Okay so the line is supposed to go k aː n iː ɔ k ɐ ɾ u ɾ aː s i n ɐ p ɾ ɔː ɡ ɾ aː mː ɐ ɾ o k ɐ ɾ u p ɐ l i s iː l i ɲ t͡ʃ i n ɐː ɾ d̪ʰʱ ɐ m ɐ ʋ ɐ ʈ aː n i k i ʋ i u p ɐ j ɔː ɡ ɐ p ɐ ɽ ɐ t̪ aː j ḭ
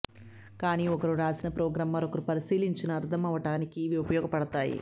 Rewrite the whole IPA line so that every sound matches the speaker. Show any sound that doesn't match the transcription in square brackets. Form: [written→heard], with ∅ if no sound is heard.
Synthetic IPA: k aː n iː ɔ k ɐ ɾ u ɾ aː s i n ɐ p ɾ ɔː ɡ ɾ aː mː ɐ ɾ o k ɐ ɾ u p ɐ [l→ɾ] i s iː l i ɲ t͡ʃ i n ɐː ɾ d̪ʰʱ ɐ m ɐ ʋ ɐ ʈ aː n i k i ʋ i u p ɐ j ɔː ɡ ɐ p ɐ ɽ ɐ t̪ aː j ḭ

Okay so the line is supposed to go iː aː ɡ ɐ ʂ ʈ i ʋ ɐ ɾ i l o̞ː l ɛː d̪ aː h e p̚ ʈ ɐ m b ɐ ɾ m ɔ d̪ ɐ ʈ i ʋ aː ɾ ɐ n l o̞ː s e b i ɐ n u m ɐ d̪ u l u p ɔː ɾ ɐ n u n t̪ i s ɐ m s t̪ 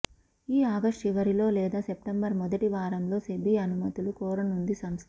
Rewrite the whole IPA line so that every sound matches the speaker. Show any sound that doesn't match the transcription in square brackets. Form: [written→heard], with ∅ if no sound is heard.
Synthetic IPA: iː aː ɡ ɐ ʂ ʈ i ʋ ɐ ɾ i l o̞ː l ɛː d̪ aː [h→s] e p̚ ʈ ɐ m b ɐ ɾ m ɔ d̪ ɐ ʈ i ʋ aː ɾ ɐ [n→m] l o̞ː s e b i ɐ n u m ɐ [d̪→t̪] u l u [p→k] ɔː ɾ ɐ n u n [t̪→d̪] i s ɐ m s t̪

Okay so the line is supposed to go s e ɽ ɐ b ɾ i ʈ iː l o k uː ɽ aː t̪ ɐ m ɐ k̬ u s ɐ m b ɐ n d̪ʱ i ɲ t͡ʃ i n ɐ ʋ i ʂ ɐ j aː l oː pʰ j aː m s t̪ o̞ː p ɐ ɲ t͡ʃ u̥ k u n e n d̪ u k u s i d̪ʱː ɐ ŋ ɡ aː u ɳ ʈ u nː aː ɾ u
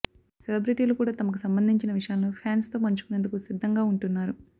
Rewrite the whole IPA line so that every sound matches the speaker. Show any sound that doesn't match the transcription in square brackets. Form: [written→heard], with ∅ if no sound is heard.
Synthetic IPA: s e [ɽ→l] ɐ b ɾ i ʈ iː l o k uː ɽ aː t̪ ɐ m ɐ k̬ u s ɐ m b ɐ n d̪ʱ i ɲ t͡ʃ i n ɐ ʋ i ʂ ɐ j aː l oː pʰ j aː [m→n] s t̪ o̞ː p ɐ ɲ t͡ʃ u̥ k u n e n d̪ u k u s i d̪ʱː ɐ ŋ ɡ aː u ɳ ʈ u nː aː ɾ u

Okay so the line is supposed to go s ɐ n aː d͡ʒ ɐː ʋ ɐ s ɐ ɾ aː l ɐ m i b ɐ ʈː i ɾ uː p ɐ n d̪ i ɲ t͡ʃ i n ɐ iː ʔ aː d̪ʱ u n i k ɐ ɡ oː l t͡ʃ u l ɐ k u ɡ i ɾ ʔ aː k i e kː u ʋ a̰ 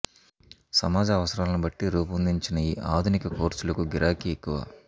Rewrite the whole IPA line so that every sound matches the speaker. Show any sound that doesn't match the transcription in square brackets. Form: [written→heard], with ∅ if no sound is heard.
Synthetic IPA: s ɐ [n→m] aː d͡ʒ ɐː ʋ ɐ s ɐ ɾ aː l ɐ [m→n] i b ɐ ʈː i ɾ uː p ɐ n d̪ i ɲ t͡ʃ i n ɐ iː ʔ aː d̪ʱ u n i k ɐ [ɡ→k] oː [l→ɾ] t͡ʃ u l ɐ k u ɡ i ɾ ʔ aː k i e kː u ʋ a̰

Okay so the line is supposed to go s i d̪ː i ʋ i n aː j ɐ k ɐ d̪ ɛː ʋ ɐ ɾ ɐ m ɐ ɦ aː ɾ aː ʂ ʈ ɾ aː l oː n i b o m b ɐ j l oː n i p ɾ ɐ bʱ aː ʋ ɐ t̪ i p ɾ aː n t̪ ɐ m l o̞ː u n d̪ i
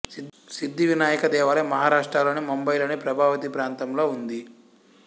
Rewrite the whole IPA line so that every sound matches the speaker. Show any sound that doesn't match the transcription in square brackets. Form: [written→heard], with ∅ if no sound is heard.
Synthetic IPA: s i d̪ː i ʋ i n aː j ɐ k ɐ d̪ ɛː ʋ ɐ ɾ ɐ m ɐ ɦ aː ɾ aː ʂ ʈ ɾ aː l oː n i [b→m] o m b ɐ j l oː n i p ɾ ɐ bʱ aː ʋ ɐ t̪ i p ɾ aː n t̪ ɐ m l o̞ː u n d̪ i

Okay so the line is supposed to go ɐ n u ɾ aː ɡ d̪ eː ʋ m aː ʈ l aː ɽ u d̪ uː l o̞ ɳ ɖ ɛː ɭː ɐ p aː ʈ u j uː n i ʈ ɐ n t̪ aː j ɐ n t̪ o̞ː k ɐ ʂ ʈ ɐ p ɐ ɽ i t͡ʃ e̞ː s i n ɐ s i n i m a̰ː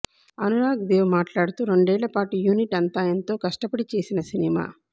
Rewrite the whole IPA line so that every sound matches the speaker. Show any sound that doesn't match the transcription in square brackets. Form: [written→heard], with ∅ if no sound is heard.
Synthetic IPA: ɐ n u ɾ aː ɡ d̪ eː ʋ m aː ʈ l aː ɽ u [d̪→t̪] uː [l→ɾ] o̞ ɳ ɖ ɛː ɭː ɐ p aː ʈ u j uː n i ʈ ɐ n t̪ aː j ɐ n t̪ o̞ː k ɐ ʂ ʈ ɐ p ɐ ɽ i t͡ʃ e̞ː s i n ɐ s i n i m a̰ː

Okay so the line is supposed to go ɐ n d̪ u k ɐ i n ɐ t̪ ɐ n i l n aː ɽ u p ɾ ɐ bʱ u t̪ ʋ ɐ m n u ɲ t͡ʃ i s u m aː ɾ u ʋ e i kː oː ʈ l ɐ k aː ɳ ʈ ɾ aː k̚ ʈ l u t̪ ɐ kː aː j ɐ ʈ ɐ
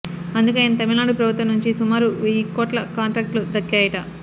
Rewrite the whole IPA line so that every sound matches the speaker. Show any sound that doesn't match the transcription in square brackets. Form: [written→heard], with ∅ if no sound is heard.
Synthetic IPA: ɐ n d̪ u k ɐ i n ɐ t̪ ɐ [n→m] i l n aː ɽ u p ɾ ɐ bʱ u t̪ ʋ ɐ m n u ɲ t͡ʃ i s u m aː ɾ u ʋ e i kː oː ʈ l ɐ k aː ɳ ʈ ɾ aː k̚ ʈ l u [t̪→d̪] ɐ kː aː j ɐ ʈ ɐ

